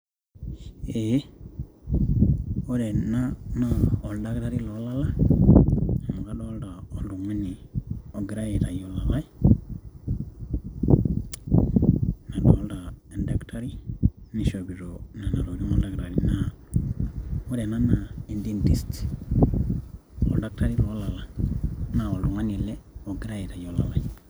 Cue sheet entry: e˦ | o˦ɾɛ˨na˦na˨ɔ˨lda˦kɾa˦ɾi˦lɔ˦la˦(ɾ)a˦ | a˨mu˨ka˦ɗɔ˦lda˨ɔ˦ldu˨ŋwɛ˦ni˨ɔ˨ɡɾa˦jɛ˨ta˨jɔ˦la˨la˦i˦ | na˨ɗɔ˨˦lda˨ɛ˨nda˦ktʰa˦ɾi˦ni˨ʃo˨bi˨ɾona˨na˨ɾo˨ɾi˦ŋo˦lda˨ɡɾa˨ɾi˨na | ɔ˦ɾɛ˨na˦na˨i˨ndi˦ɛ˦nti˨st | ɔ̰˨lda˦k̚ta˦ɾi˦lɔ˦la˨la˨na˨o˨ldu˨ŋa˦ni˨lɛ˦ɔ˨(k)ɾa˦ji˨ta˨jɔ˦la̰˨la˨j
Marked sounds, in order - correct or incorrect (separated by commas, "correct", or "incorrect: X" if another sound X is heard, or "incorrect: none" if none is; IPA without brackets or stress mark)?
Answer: incorrect: l, incorrect: ɡ